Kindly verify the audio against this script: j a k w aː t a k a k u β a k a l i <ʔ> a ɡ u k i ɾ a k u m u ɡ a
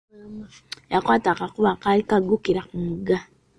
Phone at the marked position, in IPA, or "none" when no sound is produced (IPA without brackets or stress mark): k